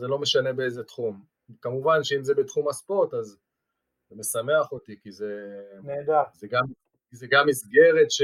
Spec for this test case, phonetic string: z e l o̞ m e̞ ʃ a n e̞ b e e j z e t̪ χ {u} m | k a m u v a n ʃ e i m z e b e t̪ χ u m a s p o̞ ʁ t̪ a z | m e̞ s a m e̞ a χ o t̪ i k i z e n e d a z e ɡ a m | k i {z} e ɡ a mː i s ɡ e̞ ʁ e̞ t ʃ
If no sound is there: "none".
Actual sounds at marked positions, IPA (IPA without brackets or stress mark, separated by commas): u, z